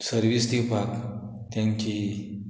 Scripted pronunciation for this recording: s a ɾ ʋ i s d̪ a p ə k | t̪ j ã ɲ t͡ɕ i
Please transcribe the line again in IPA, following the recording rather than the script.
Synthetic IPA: s ə ɾ ʋ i s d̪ i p a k | t̪ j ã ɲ t͡ɕ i